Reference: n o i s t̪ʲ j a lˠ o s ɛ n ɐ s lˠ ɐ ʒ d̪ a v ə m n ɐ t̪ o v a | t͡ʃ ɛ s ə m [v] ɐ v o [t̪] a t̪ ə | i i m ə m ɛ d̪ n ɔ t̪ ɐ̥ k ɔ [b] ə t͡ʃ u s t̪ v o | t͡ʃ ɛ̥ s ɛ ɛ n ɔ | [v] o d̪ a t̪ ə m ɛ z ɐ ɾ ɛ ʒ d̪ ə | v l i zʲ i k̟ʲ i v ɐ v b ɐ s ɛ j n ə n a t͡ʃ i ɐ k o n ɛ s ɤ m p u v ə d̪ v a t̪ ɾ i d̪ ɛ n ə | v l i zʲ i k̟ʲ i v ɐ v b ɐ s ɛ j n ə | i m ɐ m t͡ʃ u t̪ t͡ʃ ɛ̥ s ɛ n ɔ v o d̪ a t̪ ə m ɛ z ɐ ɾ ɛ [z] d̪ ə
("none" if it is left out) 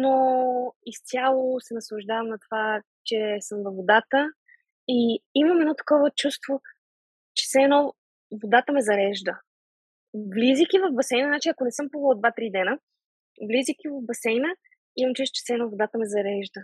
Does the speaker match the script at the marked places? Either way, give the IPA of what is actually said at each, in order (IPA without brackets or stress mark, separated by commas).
v, d̪, v, v, ʒ